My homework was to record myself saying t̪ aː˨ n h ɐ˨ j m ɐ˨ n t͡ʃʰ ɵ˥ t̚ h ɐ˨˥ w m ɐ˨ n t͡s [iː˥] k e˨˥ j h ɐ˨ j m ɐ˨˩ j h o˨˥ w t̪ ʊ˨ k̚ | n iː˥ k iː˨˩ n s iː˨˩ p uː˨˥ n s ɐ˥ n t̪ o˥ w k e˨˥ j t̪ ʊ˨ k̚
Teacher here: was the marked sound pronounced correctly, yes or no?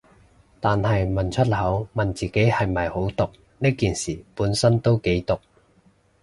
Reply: no